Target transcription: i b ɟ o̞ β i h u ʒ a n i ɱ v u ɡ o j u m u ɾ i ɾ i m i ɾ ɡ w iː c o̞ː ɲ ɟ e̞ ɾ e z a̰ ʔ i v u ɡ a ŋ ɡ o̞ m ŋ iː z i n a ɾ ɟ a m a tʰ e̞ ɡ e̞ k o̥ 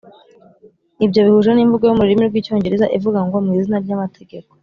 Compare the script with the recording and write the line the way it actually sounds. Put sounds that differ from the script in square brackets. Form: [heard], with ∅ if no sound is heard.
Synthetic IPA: i b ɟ o̞ β i h u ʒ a n i ɱ v u ɡ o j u m u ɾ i ɾ i m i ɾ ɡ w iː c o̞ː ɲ ɟ e̞ ɾ e z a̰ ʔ i v u ɡ a ŋ ɡ o̞ m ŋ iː z i n a ɾ ɟ a m a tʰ e̞ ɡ e̞ k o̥